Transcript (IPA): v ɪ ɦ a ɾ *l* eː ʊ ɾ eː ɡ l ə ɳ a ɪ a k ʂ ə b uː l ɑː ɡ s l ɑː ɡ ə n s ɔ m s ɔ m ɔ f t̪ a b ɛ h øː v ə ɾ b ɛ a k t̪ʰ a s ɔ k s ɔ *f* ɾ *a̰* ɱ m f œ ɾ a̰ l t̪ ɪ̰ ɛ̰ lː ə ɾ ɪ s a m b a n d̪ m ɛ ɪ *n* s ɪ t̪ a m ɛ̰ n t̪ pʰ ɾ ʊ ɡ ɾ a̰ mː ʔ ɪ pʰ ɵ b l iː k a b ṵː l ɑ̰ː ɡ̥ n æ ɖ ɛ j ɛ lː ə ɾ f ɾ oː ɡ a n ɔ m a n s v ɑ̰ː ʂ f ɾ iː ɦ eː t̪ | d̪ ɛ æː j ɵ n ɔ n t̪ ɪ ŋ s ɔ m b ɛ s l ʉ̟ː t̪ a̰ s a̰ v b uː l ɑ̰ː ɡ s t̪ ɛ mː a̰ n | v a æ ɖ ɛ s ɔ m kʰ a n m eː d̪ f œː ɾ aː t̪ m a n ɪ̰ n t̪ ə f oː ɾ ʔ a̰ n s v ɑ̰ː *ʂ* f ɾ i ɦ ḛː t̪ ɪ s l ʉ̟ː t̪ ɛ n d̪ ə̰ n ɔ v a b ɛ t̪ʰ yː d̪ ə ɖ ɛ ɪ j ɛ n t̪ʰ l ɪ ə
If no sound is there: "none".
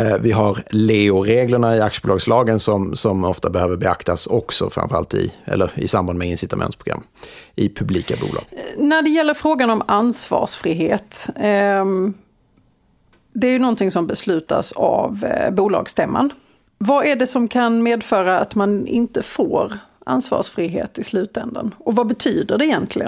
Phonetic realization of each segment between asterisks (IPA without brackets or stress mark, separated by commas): l, f, a̰, n, ʂ